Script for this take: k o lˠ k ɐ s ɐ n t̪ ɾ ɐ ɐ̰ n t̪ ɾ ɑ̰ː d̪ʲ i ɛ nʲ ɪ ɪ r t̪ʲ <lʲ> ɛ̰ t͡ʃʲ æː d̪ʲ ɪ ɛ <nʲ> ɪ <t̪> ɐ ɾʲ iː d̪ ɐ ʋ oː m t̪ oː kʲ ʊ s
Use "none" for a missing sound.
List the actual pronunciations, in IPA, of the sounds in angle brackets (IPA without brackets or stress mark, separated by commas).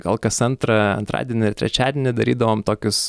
ɾʲ, nʲ, d̪